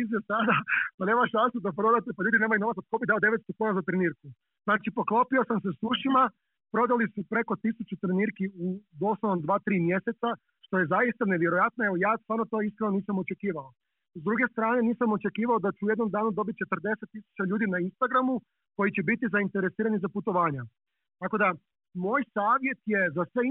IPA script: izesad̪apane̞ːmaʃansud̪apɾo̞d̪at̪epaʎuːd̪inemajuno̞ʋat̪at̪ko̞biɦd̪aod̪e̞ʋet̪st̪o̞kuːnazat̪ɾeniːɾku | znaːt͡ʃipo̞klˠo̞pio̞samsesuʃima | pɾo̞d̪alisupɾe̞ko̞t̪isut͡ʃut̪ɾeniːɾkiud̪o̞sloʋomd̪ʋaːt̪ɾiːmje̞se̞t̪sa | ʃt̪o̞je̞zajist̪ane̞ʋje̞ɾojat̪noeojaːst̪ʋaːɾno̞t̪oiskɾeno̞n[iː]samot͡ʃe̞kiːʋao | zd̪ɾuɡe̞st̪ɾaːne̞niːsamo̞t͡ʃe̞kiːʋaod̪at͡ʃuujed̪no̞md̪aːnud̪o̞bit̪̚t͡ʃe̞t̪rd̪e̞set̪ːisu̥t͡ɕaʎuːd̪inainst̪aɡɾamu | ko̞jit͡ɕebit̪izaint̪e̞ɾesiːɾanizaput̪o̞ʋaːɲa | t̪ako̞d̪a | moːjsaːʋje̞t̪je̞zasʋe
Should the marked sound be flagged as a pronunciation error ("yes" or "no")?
no